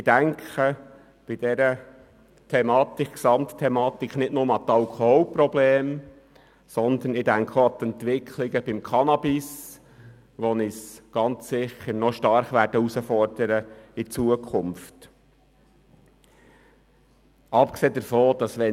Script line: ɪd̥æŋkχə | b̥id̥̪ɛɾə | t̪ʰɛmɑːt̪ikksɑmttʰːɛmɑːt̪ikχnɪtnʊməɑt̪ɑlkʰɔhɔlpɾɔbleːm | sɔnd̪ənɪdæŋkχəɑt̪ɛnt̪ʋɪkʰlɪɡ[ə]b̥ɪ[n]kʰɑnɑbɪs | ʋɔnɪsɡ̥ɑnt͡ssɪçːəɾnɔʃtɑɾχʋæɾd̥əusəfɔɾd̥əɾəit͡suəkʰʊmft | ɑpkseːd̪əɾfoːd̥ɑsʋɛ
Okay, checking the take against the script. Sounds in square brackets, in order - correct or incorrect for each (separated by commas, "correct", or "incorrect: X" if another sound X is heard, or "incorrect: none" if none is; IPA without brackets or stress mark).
correct, incorrect: m